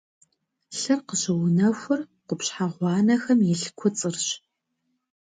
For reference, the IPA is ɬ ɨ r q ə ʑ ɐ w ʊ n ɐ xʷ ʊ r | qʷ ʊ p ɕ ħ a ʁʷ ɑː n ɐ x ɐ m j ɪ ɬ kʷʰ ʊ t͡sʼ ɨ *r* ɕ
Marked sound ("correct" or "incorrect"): correct